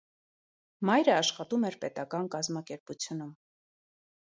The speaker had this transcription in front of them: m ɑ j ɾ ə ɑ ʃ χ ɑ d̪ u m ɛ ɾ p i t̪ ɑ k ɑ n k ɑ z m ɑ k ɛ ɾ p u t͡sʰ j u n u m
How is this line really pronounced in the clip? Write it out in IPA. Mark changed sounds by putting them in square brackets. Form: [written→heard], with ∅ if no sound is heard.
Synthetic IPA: m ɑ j ɾ ə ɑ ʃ χ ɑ [d̪→t̪] u m ɛ ɾ p [i→ɛ] t̪ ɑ k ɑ n k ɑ z m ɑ k ɛ ɾ p u t͡sʰ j u n u m